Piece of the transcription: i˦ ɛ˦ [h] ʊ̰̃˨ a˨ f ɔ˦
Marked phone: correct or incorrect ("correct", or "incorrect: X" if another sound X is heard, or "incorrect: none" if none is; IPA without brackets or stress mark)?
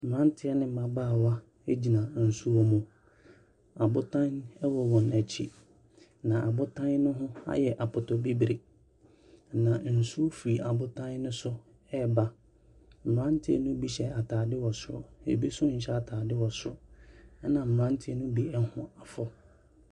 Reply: correct